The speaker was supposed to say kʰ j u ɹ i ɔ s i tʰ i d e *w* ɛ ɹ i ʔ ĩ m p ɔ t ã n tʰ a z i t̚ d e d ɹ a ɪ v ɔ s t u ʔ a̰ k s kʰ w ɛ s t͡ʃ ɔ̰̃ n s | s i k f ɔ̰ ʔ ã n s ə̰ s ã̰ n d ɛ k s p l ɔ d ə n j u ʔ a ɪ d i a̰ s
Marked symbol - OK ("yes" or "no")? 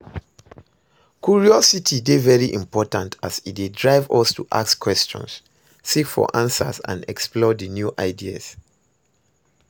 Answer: no